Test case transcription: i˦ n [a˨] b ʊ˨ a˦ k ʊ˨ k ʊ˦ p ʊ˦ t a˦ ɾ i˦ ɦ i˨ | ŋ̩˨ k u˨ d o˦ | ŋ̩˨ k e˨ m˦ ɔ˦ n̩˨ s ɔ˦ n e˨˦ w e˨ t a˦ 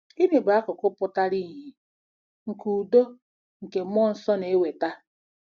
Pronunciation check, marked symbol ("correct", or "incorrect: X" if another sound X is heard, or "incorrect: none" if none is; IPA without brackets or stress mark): incorrect: e˨